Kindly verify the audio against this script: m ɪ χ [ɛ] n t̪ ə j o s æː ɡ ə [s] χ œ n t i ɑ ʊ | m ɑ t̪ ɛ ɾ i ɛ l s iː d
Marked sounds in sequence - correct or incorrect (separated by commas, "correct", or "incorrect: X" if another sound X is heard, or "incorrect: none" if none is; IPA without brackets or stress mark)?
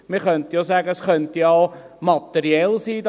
incorrect: œ, correct